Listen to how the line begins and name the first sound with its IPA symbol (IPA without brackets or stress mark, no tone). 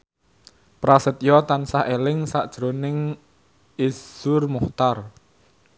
p